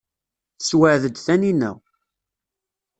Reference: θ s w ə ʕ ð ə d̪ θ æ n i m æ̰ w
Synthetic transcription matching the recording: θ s w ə ʕ ð ə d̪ θ æ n i n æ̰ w